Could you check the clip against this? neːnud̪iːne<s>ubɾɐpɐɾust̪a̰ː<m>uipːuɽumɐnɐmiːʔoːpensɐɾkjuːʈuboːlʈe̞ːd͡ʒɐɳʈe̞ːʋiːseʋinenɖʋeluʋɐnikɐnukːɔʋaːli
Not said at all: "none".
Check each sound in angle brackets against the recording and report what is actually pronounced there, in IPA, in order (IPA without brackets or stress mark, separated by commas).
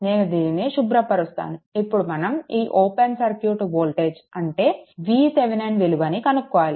ʃ, n